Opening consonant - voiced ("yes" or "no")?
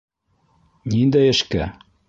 yes